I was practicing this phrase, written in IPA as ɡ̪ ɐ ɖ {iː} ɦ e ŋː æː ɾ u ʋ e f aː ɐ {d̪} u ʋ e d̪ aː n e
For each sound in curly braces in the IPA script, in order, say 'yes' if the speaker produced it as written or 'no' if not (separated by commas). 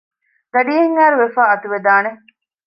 yes, no